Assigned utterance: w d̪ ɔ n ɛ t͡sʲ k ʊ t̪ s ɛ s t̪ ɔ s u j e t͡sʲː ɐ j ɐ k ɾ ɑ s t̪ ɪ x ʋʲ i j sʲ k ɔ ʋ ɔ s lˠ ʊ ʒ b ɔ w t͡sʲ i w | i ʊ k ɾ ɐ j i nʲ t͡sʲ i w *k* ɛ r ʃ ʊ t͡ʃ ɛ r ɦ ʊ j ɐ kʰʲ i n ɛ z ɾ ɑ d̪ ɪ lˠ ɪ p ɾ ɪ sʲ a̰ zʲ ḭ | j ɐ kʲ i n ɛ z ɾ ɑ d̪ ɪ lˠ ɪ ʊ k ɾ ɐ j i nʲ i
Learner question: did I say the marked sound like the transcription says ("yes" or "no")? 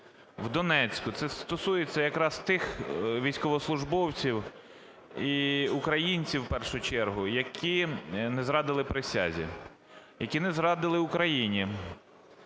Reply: no